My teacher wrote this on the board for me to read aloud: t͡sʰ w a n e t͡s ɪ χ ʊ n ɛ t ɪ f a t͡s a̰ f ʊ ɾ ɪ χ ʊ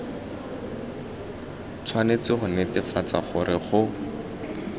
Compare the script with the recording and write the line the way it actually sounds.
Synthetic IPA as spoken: t͡sʰ w a n e t͡s ɪ χ ʊ n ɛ t ɪ f a t͡s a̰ χ ʊ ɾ ɪ χ ʊ